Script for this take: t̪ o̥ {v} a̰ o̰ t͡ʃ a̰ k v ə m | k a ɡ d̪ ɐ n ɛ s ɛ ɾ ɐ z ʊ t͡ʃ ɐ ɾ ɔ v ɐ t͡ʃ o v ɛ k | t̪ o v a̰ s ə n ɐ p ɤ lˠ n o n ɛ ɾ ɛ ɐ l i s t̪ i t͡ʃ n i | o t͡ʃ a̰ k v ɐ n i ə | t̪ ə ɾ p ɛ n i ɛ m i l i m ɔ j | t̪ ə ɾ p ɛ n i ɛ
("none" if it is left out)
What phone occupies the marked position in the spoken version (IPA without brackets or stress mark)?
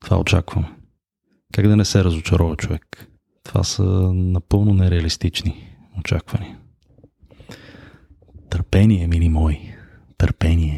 v